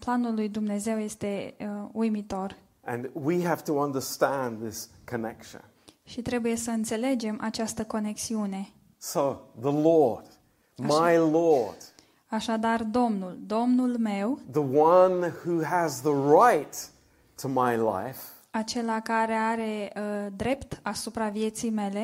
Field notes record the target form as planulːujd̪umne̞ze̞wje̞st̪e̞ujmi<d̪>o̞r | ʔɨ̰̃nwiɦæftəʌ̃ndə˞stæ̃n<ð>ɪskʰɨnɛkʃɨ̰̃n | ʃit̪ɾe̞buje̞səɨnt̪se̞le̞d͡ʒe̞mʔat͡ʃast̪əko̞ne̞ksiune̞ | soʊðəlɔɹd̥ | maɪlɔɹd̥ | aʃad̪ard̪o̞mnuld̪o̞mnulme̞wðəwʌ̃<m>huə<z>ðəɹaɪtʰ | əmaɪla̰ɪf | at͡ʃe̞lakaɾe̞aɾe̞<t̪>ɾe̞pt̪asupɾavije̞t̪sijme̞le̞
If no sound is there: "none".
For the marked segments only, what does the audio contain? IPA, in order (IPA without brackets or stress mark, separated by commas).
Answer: t̪, ð, n, z, d̪